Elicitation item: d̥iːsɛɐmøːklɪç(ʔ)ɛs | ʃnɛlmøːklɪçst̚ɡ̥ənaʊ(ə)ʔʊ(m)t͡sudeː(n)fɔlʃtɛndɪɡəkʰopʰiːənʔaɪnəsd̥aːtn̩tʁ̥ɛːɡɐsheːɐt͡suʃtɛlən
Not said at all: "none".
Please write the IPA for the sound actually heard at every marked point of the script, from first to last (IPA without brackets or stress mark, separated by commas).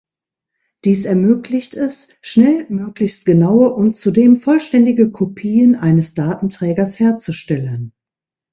t, ə, n, m